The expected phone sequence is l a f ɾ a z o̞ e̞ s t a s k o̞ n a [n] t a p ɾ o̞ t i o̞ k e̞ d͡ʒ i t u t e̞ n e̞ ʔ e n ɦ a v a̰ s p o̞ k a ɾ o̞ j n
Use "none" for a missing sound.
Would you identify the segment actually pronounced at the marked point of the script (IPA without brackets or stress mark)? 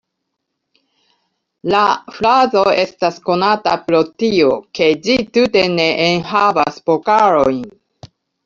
none